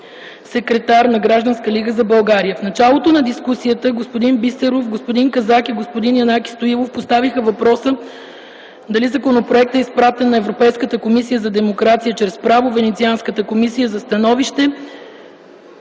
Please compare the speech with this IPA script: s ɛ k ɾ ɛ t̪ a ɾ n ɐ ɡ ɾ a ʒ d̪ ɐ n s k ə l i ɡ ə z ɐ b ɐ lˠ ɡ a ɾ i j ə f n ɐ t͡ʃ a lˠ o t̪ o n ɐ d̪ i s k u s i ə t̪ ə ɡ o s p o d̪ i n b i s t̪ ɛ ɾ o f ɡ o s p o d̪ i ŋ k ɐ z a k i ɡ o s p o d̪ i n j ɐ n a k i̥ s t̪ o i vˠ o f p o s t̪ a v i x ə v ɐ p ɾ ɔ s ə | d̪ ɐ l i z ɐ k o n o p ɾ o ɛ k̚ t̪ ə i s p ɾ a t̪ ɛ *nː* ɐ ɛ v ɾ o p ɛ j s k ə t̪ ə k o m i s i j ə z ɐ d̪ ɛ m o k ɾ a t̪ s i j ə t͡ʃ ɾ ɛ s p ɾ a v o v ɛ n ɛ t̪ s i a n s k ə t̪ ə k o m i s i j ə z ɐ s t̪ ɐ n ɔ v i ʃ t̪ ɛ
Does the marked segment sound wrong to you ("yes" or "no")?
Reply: no